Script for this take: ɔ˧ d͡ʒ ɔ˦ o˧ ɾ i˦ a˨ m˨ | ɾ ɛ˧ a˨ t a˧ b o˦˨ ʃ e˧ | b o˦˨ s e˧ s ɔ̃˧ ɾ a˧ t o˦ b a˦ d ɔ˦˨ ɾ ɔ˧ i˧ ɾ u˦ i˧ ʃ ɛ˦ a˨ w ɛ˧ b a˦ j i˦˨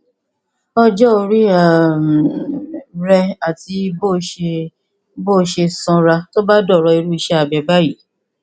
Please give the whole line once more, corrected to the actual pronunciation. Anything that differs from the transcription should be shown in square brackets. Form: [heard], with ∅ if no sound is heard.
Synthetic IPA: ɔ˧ d͡ʒ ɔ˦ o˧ ɾ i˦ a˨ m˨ | ɾ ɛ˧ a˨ t [i˧] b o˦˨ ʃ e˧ | b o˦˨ [ʃ] e˧ s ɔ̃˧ ɾ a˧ t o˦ b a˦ d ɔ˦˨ ɾ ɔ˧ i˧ ɾ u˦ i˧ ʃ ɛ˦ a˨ [b] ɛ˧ b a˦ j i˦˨